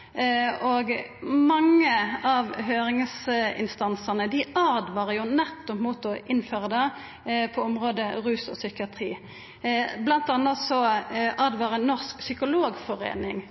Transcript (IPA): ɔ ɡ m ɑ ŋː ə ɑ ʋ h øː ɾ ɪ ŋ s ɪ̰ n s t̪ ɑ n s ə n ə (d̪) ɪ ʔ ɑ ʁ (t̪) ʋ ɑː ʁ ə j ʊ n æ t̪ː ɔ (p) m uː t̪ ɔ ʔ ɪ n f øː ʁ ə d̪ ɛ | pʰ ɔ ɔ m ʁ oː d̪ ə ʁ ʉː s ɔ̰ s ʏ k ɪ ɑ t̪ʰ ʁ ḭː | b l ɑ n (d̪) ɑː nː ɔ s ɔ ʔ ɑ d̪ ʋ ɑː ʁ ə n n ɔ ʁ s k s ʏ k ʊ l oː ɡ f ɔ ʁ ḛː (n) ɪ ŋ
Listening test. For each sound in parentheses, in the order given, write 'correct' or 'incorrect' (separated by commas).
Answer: correct, incorrect, correct, incorrect, correct